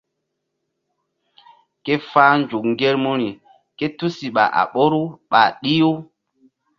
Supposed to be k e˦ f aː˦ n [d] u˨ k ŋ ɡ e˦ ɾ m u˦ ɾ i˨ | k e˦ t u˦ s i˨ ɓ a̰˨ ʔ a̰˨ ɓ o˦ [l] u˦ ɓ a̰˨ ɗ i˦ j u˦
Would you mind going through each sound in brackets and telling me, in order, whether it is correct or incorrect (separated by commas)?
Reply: incorrect, incorrect